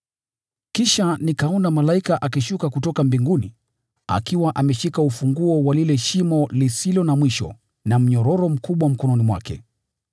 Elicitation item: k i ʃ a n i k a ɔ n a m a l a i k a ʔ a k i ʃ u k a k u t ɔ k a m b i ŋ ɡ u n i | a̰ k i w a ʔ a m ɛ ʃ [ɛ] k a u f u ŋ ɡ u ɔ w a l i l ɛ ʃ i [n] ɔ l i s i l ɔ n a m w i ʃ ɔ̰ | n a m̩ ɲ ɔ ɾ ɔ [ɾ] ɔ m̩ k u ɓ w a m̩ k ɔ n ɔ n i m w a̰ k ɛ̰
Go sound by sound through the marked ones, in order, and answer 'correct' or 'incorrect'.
incorrect: i, incorrect: m, correct

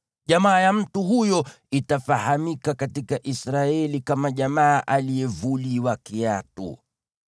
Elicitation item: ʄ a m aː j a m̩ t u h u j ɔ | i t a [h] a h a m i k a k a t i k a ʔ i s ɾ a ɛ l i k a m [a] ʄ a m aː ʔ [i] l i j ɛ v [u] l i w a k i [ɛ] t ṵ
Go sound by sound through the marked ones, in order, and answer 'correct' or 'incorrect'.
incorrect: f, correct, incorrect: a, correct, incorrect: a

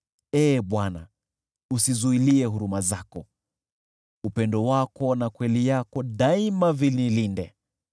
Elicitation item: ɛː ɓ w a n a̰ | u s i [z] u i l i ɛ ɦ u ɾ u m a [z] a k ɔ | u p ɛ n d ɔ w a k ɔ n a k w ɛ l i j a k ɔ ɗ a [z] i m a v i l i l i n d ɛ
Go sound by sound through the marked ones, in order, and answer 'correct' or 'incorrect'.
correct, correct, incorrect: none

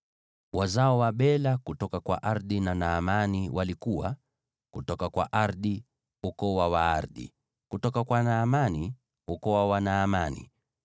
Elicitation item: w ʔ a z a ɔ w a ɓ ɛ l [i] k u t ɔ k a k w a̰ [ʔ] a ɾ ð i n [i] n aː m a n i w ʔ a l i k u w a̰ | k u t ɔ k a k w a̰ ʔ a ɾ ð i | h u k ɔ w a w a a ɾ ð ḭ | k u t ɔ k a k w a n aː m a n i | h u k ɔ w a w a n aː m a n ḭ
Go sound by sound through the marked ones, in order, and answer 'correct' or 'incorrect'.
incorrect: a, correct, incorrect: a

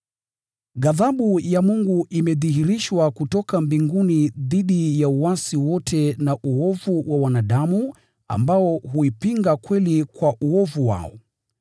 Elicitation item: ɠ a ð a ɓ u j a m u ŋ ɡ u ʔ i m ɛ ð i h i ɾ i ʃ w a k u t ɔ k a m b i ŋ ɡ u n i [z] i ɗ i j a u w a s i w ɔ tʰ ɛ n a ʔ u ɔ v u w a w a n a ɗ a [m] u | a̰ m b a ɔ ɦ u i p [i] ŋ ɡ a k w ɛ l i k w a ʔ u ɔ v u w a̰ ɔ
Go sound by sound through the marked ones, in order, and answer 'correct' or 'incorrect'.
incorrect: ð, correct, correct

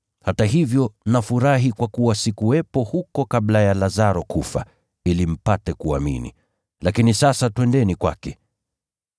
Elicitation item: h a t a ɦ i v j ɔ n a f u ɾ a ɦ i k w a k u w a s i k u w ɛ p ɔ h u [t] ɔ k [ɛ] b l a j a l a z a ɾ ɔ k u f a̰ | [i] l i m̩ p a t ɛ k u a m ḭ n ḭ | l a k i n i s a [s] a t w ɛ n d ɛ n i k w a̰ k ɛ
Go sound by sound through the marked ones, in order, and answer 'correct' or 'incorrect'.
incorrect: k, incorrect: a, correct, correct

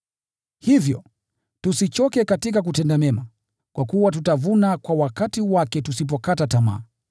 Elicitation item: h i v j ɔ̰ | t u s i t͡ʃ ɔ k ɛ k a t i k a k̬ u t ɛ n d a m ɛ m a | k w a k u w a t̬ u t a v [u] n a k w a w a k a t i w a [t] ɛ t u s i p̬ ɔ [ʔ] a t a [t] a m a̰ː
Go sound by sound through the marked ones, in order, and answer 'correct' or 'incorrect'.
correct, incorrect: k, incorrect: k, correct

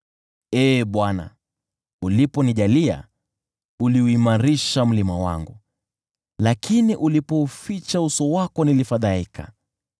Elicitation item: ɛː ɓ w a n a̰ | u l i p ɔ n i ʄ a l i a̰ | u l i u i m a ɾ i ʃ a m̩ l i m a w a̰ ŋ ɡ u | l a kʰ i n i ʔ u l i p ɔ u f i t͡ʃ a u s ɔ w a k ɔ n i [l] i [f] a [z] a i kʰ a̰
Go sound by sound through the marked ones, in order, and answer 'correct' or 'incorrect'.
correct, correct, incorrect: ð

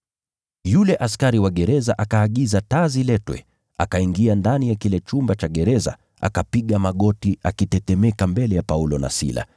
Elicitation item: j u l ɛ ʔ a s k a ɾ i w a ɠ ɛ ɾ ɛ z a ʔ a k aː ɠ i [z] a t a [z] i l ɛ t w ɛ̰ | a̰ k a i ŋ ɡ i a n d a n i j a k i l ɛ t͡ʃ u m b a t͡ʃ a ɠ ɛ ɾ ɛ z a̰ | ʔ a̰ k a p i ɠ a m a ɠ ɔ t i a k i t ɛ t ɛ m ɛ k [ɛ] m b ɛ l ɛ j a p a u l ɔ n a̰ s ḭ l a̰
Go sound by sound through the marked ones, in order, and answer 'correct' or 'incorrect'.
correct, correct, incorrect: a

